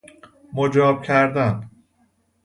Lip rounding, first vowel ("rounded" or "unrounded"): rounded